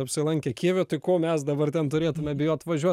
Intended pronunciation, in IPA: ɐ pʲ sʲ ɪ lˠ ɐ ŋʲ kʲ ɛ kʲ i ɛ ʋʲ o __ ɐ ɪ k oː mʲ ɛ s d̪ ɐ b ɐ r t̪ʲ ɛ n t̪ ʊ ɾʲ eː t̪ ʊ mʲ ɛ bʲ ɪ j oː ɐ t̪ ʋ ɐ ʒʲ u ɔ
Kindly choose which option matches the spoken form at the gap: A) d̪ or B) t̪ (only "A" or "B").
B